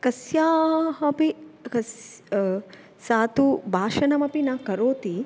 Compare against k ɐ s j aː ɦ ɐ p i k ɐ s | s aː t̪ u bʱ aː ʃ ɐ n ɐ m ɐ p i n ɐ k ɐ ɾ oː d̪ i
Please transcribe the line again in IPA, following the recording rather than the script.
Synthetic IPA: k ɐ s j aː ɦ ɐ p i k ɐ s | s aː t̪ u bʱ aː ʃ ɐ n ɐ m ɐ p i n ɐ k ɐ ɾ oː t̪ i